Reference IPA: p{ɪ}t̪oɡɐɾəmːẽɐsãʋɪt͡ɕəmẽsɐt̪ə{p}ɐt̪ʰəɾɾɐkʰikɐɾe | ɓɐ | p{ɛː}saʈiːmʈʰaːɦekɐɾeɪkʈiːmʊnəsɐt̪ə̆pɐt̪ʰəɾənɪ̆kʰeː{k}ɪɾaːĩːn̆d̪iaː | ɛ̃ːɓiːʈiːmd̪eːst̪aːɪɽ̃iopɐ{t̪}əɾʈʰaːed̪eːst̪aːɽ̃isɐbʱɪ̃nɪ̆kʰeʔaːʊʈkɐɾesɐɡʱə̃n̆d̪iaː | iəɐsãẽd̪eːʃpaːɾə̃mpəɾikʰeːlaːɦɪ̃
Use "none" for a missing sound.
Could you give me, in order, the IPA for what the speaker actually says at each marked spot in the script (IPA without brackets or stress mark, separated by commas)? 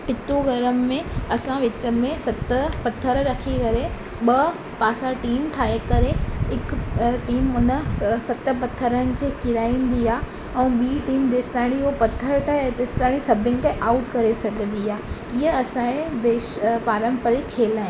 ɪ, p, aː, k, t̪ʰ